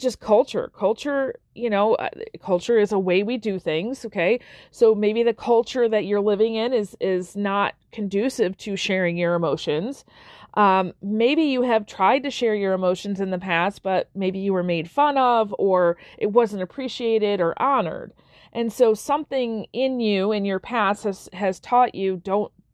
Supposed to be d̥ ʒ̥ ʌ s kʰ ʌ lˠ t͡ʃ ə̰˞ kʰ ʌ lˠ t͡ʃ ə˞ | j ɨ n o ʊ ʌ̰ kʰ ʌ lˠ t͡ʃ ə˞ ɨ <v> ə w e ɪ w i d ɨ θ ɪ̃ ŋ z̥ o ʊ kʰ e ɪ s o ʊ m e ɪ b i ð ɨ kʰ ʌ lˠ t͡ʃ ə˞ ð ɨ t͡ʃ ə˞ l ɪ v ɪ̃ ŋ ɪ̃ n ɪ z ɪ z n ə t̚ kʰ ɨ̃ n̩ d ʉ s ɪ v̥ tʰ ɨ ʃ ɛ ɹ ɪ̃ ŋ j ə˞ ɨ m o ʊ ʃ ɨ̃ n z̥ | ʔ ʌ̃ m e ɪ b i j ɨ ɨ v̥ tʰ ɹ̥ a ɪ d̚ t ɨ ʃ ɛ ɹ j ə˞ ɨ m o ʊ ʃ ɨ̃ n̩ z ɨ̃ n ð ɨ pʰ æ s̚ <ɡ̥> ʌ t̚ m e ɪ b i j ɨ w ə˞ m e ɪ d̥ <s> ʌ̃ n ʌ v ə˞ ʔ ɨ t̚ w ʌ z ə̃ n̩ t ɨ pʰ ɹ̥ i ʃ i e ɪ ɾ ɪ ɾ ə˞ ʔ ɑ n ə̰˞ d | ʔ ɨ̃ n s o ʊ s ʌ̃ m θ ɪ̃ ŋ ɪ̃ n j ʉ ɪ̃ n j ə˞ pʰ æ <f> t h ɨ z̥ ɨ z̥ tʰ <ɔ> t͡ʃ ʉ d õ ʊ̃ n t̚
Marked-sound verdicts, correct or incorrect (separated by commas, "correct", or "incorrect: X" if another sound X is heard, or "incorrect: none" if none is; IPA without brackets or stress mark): incorrect: z, incorrect: b̥, incorrect: f, incorrect: s, correct